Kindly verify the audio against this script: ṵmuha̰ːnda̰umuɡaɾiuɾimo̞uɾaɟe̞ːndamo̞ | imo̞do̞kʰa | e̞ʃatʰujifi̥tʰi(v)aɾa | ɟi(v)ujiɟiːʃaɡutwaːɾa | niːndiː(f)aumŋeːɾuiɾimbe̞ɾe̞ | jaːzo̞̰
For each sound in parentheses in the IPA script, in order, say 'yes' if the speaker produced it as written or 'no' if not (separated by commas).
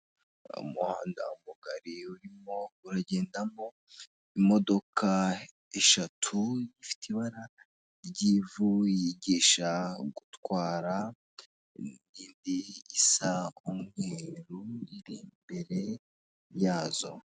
no, yes, no